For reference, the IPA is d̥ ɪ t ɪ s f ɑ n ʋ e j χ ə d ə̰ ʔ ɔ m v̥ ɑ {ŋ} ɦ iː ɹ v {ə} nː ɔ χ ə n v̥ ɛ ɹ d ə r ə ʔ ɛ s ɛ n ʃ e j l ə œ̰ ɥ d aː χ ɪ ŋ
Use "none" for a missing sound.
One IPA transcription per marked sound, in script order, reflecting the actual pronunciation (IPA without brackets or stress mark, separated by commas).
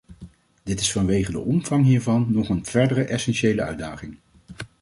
ŋ, ɑ